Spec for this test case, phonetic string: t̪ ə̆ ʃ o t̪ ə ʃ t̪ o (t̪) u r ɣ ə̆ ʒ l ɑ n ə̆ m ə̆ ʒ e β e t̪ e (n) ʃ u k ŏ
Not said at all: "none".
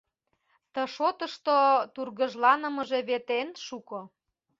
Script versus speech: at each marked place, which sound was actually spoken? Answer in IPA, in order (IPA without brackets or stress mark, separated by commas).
t̪, n